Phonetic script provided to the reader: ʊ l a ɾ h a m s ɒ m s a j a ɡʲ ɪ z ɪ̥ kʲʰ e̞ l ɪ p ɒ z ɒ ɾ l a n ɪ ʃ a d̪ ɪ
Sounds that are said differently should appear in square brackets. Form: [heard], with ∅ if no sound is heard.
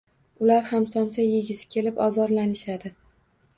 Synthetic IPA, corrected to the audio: ʊ l a ɾ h a m s ɒ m s a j [e] ɡʲ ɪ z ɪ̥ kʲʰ e̞ l ɪ p ɒ z ɒ ɾ l a n ɪ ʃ a d̪ ɪ